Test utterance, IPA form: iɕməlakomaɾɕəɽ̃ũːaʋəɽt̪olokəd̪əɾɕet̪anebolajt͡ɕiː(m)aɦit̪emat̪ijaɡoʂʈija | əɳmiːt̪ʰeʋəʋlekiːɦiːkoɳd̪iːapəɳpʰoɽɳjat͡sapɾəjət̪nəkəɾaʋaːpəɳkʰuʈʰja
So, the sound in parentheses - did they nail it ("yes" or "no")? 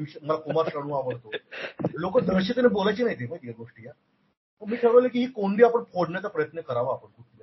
no